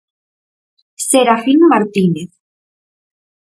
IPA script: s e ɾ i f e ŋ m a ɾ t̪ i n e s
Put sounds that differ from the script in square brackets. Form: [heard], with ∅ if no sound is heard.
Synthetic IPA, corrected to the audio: s e ɾ [a] f [i] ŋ m a ɾ t̪ i n e [θ]